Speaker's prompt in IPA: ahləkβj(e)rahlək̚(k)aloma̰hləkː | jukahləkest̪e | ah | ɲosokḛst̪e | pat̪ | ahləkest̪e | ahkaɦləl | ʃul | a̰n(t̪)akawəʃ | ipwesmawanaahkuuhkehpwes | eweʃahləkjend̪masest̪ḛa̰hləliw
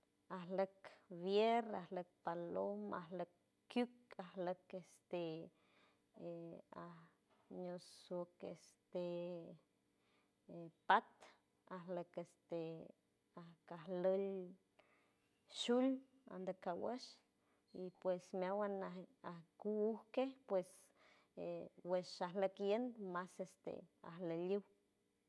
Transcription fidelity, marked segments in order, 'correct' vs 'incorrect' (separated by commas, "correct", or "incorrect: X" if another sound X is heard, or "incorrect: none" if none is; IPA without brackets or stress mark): correct, incorrect: p, incorrect: d̪